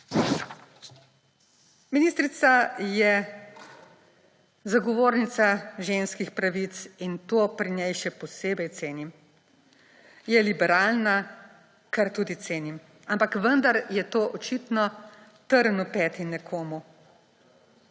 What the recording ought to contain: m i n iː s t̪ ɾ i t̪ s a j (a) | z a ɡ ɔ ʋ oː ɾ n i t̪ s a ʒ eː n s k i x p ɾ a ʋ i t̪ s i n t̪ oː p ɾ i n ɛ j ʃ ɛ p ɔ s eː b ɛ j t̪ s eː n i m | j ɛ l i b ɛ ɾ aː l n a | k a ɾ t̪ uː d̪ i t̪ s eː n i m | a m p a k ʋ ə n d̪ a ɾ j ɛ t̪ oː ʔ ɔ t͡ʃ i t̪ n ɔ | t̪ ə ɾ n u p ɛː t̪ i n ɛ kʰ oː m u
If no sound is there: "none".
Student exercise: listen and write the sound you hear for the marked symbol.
ɛ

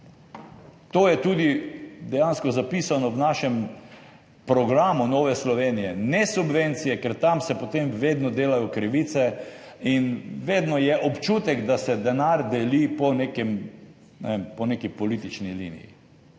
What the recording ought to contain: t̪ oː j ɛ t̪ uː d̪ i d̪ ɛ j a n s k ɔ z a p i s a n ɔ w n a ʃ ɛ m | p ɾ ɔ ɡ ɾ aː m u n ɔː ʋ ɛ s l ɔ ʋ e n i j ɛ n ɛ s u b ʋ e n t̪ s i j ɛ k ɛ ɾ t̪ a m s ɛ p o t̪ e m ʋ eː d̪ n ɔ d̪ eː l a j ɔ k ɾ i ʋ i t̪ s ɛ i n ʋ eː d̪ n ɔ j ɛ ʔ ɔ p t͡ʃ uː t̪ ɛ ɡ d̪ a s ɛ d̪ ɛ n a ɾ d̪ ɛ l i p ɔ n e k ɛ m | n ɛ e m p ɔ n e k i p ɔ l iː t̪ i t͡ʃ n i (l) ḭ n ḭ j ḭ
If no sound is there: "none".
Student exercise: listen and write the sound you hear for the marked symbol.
l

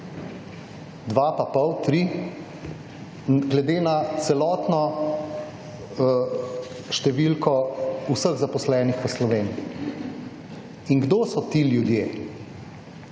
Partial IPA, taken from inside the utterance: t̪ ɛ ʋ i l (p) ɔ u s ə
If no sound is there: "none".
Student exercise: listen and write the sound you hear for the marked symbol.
k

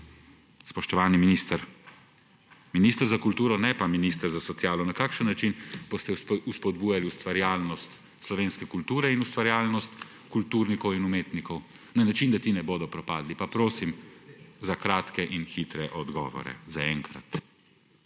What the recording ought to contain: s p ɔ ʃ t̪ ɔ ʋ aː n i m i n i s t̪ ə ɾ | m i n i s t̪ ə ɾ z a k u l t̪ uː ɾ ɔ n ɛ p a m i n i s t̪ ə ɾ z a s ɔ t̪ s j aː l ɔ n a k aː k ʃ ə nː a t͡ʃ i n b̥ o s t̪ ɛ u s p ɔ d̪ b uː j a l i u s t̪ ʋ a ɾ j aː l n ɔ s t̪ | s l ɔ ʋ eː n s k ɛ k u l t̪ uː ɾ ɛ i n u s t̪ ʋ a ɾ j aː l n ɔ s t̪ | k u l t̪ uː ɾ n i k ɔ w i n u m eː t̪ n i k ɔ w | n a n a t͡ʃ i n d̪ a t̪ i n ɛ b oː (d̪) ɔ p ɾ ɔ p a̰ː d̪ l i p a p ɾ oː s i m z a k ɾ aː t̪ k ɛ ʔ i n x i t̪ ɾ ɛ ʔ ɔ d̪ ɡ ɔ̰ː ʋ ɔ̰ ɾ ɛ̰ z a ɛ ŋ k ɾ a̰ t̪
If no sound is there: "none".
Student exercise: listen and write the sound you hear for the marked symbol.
d̪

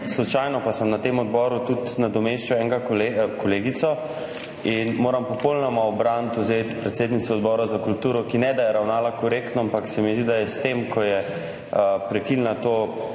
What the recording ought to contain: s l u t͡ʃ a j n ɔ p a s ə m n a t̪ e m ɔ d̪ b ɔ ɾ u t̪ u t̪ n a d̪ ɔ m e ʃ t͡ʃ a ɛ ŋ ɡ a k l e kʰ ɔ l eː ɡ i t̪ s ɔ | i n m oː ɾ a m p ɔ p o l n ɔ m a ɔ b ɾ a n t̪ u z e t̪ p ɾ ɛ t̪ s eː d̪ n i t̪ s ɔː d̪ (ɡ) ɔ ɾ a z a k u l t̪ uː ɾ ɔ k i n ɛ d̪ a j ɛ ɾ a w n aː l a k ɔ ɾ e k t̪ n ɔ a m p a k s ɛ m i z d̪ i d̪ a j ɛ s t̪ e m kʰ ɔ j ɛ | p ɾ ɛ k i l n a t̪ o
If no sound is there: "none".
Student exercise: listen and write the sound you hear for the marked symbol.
b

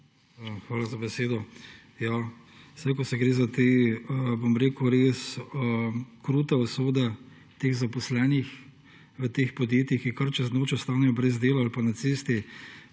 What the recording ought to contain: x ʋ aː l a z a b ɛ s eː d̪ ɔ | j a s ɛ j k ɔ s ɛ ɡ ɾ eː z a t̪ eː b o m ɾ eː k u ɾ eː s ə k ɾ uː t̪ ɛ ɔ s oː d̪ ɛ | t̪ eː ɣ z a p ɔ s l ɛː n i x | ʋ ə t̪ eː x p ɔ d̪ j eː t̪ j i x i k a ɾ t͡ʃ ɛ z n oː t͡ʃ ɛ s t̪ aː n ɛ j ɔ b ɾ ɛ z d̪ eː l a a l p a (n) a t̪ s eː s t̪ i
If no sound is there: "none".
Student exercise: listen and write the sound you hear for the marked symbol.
n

